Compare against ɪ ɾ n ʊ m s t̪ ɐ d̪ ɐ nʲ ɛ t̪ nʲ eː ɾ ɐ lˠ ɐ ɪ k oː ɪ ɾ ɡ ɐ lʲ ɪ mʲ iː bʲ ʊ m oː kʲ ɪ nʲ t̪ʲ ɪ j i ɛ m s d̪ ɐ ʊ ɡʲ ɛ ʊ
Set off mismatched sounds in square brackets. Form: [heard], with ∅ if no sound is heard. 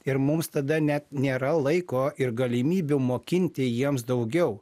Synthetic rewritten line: ɪ ɾ [m] ʊ m s t̪ ɐ d̪ ɐ nʲ ɛ t̪ nʲ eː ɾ ɐ lˠ ɐ ɪ k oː ɪ ɾ ɡ ɐ lʲ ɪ mʲ iː bʲ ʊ m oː kʲ ɪ nʲ t̪ʲ ɪ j i ɛ m s d̪ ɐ ʊ ɡʲ ɛ ʊ